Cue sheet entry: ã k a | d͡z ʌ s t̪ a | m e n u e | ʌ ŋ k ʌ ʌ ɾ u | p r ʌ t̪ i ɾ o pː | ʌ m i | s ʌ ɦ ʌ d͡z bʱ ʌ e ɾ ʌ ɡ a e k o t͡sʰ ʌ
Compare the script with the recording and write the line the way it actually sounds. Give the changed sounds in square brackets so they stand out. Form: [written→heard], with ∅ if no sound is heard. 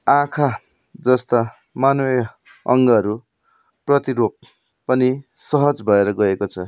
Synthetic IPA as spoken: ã [k→kʰ] a | d͡z ʌ s t̪ a | m [e→a] n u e | ʌ ŋ [k→ɡ] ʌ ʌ ɾ u | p r ʌ t̪ i ɾ o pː | ʌ [m→n] i | s ʌ ɦ ʌ d͡z bʱ ʌ e ɾ ʌ ɡ [a→ʌ] e k o t͡sʰ ʌ